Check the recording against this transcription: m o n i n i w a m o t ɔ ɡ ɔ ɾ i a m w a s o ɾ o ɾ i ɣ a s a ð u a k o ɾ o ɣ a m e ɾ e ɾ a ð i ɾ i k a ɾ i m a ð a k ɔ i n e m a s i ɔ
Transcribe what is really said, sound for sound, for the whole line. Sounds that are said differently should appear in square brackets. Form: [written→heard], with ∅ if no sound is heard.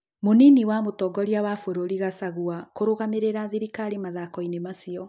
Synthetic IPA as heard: m o n i n i w a m o t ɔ ɡ ɔ ɾ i a [m→∅] w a [s→f] o ɾ o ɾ i ɣ a s a [ð→ɣ] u a k o ɾ o ɣ a m e ɾ e ɾ a ð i ɾ i k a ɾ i m a ð a k ɔ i n e m a s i ɔ